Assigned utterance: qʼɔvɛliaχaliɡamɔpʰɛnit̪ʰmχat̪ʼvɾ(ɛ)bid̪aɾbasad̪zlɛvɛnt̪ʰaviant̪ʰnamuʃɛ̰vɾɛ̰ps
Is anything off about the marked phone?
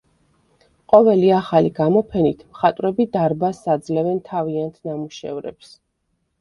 no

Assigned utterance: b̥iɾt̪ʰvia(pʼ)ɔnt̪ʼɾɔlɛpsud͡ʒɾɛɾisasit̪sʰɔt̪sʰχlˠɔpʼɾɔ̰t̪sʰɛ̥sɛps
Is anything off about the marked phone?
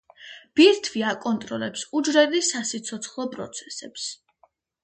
yes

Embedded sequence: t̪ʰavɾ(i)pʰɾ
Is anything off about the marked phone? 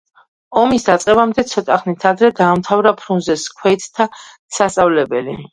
yes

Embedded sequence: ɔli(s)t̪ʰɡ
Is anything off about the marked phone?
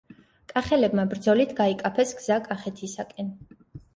yes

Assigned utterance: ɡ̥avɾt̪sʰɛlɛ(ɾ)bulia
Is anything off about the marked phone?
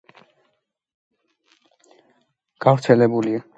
yes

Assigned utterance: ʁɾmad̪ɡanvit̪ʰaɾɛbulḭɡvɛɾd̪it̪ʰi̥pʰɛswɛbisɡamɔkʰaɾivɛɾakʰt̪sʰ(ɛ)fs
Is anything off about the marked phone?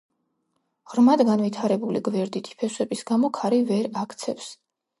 no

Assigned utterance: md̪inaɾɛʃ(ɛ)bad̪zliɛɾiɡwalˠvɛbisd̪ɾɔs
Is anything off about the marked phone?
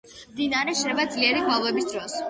no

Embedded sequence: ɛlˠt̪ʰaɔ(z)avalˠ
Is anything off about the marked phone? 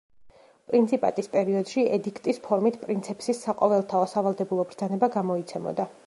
yes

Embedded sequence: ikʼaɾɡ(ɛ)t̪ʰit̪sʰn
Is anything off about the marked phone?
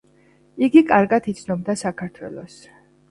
yes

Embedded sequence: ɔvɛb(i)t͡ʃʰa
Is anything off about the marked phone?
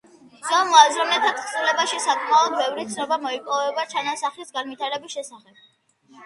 yes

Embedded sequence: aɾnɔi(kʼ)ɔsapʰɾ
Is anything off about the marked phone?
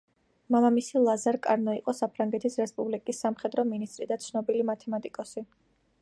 yes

